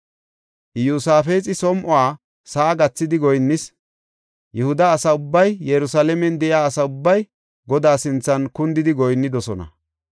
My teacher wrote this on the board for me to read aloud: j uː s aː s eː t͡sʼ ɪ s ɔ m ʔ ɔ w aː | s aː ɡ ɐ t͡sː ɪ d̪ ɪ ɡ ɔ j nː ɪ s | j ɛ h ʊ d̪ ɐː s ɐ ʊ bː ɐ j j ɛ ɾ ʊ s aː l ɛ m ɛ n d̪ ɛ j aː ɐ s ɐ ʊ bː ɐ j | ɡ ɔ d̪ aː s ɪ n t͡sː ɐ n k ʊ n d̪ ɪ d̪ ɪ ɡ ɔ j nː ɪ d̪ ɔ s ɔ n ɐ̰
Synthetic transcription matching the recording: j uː s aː f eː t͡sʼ ɪ s ɔ m ʔ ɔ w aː | s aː ɡ ɐ t͡sː ɪ d̪ ɪ ɡ ɔ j nː ɪ s | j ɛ h ʊ d̪ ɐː s ɐ ʊ bː ɐ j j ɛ ɾ ʊ s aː l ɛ m ɛ n d̪ ɛ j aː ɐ s ɐ ʊ bː ɐ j | ɡ ɔ d̪ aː s ɪ n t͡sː ɐ n k ʊ n d̪ ɪ d̪ ɪ ɡ ɔ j nː ɪ d̪ ɔ s ɔ n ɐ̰